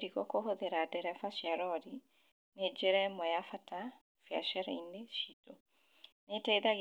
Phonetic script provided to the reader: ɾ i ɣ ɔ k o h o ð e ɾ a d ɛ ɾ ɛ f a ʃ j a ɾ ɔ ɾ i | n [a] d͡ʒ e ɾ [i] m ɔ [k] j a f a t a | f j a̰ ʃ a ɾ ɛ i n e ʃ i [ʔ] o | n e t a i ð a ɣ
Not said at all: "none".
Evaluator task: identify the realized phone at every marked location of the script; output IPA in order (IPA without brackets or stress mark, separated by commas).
e, ɛ, none, t